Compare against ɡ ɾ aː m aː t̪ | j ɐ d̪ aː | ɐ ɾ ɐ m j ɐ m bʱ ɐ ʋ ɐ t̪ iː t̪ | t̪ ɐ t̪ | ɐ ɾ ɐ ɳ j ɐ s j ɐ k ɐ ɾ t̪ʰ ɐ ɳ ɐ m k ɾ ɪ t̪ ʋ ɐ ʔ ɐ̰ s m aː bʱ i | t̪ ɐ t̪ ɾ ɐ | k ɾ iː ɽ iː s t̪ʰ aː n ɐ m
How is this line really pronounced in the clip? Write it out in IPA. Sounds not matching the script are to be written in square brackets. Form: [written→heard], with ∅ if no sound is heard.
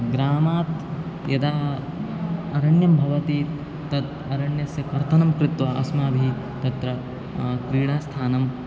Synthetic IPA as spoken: ɡ ɾ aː m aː t̪ | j ɐ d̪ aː | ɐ ɾ ɐ [m→ɳ] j ɐ m bʱ ɐ ʋ ɐ t̪ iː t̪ | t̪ ɐ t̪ | ɐ ɾ ɐ ɳ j ɐ s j ɐ k ɐ ɾ t̪ʰ ɐ [ɳ→n] ɐ m k ɾ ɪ t̪ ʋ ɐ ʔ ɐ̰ s m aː bʱ i | t̪ ɐ t̪ ɾ ɐ | k ɾ iː ɽ [iː→aː] s t̪ʰ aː n ɐ m